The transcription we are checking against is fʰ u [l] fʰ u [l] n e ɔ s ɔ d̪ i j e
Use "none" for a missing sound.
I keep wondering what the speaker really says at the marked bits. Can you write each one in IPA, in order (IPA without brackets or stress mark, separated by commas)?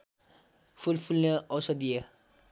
l, l